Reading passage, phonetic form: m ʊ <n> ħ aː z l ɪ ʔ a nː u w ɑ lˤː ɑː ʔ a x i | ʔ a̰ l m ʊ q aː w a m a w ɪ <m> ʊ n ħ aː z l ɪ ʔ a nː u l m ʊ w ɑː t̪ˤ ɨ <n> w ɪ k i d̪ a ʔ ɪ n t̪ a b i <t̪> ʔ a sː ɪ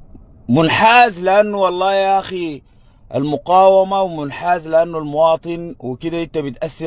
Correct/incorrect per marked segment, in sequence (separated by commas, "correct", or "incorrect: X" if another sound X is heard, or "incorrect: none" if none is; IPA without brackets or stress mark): correct, correct, correct, correct